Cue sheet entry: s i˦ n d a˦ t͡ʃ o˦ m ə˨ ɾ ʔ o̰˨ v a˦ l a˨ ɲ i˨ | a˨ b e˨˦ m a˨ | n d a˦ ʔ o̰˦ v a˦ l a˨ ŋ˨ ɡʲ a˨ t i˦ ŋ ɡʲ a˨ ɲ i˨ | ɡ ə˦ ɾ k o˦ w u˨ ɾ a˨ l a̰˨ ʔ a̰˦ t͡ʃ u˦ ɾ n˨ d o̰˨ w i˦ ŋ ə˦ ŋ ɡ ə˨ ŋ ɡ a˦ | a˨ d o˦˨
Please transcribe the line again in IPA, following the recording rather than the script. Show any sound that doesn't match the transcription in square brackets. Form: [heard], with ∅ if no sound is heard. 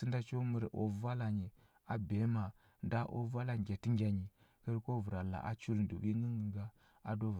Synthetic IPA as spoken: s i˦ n d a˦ t͡ʃ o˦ m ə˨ ɾ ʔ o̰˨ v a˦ l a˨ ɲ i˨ | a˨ b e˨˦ m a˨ | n d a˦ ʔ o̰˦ v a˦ l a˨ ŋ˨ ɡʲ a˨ t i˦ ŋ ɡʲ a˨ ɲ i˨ | [k] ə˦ ɾ k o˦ [v] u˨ ɾ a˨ l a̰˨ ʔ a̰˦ t͡ʃ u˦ ɾ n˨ d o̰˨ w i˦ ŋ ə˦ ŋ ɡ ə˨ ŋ ɡ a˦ | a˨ d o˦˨